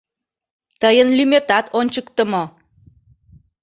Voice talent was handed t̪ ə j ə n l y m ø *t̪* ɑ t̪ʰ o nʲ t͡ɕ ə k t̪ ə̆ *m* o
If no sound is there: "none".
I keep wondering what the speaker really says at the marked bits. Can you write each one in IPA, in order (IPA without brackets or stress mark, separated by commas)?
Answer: t̪, m